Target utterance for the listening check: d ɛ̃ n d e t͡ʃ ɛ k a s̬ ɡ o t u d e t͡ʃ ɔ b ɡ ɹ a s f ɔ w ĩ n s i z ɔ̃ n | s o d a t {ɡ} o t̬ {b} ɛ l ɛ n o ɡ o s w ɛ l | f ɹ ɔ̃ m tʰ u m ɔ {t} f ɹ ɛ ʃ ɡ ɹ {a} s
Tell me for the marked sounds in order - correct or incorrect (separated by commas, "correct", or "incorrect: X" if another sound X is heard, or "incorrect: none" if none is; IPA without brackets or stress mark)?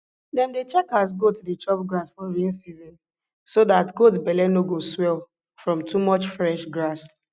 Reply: correct, correct, incorrect: t͡ʃ, correct